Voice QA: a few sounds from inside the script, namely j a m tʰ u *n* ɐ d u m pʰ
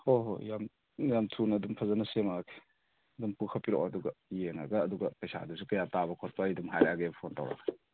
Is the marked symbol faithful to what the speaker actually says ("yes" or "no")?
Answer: yes